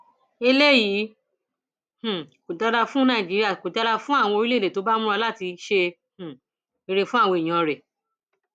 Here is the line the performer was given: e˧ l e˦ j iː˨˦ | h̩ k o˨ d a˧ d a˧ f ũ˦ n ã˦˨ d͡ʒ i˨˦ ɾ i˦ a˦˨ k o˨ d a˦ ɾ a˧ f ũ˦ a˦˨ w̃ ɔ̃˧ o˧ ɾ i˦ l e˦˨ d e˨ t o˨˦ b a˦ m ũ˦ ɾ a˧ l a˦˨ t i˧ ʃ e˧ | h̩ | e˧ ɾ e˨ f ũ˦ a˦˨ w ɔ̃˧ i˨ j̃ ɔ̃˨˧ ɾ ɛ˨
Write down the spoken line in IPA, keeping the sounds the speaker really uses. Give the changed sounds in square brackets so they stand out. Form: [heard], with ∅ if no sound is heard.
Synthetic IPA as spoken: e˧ l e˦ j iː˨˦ | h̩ k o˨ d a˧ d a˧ f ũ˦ n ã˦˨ d͡ʒ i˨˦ ɾ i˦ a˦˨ k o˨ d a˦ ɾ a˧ f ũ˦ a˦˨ w̃ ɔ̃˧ o˧ ɾ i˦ l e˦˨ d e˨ t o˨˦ b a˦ m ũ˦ ɾ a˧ l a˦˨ t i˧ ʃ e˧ | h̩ | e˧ ɾ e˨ f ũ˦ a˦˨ w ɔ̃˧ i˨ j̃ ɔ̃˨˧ ɾ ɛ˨

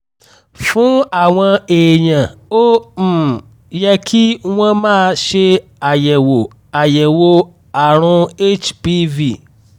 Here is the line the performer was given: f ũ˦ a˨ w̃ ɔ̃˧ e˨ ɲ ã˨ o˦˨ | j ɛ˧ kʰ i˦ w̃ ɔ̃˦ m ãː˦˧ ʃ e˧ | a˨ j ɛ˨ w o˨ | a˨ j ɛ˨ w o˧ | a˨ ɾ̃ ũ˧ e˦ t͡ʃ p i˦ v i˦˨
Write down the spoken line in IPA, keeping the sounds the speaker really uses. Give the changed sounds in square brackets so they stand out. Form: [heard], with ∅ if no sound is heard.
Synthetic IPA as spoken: f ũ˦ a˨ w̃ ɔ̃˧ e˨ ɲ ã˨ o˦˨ | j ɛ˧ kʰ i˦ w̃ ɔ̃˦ m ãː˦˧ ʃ e˧ | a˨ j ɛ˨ w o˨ | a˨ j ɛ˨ w o˧ | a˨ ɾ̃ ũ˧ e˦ t͡ʃ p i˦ v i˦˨

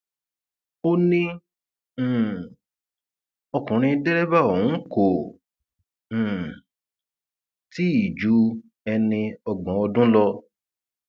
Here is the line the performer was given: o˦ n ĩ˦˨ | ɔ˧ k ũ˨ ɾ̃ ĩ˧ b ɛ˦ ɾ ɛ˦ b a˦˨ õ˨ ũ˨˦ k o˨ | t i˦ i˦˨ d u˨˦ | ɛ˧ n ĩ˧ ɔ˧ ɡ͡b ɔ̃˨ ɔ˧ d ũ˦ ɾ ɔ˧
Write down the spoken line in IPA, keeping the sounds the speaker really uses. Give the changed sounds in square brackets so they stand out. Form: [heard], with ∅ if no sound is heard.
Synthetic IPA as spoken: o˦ n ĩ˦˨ | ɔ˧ k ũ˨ ɾ̃ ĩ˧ [d] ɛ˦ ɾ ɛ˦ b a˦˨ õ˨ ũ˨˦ k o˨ | t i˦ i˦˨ [d͡ʒ] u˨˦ | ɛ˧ n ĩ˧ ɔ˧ ɡ͡b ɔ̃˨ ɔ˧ d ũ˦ [l] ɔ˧

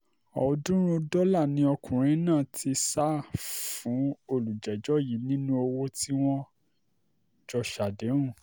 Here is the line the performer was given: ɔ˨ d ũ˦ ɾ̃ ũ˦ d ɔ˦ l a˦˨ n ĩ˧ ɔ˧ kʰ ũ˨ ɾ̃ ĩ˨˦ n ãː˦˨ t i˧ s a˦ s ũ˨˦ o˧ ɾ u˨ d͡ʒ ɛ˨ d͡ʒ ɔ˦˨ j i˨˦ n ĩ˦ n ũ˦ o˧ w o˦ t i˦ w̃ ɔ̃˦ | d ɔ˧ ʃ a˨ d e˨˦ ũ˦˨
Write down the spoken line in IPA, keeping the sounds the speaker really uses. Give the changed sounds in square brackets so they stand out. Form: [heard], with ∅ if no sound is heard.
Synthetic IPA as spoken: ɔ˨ d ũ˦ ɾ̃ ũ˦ d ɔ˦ l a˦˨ n ĩ˧ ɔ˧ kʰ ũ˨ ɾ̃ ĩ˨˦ n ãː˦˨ t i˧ s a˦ [f] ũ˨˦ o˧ [l] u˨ d͡ʒ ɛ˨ d͡ʒ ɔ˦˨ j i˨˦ n ĩ˦ n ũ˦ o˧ w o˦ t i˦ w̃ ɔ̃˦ | [d͡ʒ] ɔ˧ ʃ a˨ d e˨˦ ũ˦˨

